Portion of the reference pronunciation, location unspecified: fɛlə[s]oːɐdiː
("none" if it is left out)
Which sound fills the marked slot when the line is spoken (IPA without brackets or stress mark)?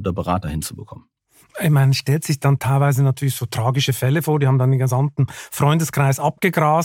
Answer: f